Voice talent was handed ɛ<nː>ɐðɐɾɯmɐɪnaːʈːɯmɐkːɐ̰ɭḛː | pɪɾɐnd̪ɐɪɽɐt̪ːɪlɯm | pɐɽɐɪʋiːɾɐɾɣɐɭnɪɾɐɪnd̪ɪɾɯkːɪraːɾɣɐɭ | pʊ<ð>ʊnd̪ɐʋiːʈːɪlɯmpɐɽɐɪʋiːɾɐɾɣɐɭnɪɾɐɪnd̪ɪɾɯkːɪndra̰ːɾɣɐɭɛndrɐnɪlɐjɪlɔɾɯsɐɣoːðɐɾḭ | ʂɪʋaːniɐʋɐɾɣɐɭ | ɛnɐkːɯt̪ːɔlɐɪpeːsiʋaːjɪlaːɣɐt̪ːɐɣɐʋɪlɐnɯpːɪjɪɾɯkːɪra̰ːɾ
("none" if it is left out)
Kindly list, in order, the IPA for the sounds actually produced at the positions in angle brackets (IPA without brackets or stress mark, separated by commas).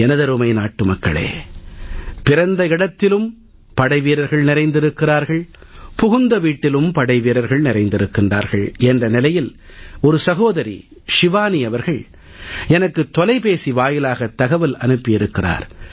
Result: n, ɣ